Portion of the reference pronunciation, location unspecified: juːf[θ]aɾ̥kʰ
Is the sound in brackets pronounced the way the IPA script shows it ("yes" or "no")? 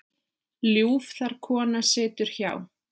yes